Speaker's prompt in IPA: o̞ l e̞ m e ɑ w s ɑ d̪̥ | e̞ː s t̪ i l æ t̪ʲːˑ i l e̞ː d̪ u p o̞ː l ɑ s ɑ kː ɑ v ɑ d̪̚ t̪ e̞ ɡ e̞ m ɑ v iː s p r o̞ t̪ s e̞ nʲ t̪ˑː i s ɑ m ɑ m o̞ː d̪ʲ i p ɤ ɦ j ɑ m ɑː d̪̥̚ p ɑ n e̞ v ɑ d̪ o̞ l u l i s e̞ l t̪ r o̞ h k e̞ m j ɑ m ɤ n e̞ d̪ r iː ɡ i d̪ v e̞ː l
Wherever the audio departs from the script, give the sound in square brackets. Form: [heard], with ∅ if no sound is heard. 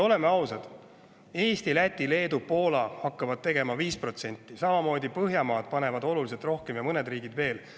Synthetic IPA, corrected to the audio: o̞ l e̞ m e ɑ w s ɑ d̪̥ | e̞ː s t̪ i l æ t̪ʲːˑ i l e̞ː d̪ u p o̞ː l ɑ [h] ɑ kː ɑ v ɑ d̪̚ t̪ e̞ ɡ e̞ m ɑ v iː s p r o̞ t̪ s e̞ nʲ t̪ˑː i s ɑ m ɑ m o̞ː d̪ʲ i p ɤ ɦ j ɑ m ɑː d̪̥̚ p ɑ n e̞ v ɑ d̪ o̞ l u l i s e̞ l t̪ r o̞ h k e̞ m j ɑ m ɤ n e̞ d̪ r iː ɡ i d̪ v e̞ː l